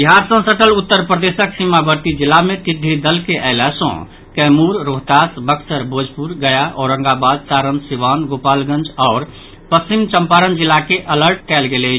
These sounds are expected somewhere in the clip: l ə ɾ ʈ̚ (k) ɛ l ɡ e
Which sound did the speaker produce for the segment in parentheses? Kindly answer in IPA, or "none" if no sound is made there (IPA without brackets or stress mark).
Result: k